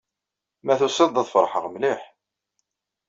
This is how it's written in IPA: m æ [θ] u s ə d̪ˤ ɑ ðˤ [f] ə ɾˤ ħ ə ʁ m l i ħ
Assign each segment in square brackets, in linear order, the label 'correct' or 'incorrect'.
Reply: correct, correct

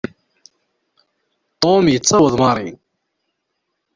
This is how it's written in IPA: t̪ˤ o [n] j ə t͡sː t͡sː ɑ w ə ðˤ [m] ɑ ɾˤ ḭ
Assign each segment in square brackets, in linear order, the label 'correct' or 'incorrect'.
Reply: incorrect, correct

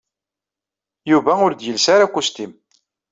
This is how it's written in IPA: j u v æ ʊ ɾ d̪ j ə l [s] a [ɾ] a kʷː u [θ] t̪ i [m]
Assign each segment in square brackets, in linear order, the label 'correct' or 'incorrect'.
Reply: correct, correct, incorrect, correct

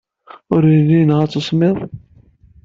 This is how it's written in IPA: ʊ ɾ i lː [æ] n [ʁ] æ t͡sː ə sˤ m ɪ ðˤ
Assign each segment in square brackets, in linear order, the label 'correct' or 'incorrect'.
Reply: incorrect, correct

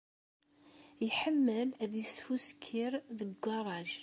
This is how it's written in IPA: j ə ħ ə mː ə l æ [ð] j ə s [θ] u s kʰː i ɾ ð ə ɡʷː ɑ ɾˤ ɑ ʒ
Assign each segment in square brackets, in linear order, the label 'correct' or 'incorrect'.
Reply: correct, incorrect

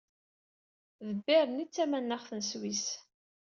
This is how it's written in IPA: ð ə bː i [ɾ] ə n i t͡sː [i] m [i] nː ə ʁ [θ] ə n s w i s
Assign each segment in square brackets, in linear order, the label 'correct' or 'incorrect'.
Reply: correct, incorrect, incorrect, correct

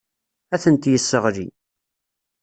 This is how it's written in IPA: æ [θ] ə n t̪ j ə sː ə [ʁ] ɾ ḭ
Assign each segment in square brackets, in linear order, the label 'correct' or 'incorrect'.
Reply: correct, correct

